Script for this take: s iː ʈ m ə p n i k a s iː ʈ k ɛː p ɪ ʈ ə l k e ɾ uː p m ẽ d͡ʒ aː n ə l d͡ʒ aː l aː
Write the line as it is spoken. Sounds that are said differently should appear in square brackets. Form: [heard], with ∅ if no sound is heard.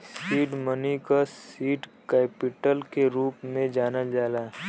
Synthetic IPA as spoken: s iː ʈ m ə [∅] n i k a s iː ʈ k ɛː p ɪ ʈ ə l k e ɾ uː p m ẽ d͡ʒ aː n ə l d͡ʒ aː l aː